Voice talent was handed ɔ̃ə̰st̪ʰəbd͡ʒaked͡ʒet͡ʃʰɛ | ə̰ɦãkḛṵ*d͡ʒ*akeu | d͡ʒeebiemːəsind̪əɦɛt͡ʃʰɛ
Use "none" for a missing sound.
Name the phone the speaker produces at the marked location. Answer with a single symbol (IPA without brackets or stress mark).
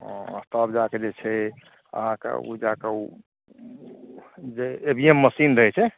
d͡ʒ